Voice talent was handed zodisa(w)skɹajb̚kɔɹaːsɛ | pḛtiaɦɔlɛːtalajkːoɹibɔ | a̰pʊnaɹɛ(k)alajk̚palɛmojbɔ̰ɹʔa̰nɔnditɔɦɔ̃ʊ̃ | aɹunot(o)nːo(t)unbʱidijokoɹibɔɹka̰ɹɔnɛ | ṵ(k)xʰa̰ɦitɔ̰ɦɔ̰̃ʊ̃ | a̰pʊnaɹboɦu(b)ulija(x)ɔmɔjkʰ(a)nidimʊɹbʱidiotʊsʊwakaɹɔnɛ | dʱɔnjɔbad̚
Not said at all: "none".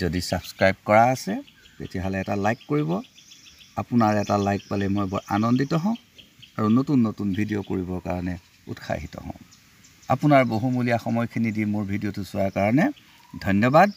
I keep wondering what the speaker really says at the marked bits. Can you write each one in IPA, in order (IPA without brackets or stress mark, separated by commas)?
b, t, u, t, t, m, x, i